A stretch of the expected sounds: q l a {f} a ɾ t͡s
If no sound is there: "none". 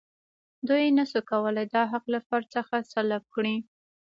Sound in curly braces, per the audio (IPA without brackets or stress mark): f